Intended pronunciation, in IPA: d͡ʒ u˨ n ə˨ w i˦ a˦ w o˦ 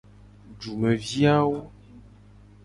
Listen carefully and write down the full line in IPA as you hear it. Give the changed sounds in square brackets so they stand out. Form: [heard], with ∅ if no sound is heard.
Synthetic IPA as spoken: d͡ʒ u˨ [m] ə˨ [v] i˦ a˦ w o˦